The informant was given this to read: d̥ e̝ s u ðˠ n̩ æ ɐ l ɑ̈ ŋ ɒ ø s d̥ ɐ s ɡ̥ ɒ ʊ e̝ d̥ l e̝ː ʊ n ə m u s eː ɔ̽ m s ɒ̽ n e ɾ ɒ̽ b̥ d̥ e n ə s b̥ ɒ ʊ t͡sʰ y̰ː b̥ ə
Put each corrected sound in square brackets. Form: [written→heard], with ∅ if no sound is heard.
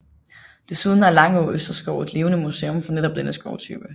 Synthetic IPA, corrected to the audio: d̥ e̝ s u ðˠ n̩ æ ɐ l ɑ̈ ŋ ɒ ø s d̥ ɐ s ɡ̥ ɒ ʊ e̝ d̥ l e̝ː ʊ n ə m u s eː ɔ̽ m [s→f] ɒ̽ n e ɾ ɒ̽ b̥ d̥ e n ə s [b̥→ɡ̥] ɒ ʊ t͡sʰ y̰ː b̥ ə